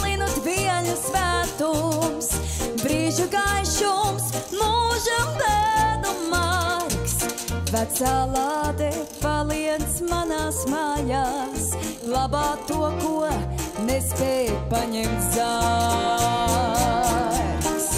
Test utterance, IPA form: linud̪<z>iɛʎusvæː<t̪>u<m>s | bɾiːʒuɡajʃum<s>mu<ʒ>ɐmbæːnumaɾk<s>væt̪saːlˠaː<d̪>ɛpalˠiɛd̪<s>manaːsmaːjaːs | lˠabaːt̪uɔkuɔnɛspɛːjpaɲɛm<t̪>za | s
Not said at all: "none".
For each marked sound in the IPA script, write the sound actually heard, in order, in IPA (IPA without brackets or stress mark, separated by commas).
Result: v, t̪, m, s, ʒ, s, d̪, s, t̪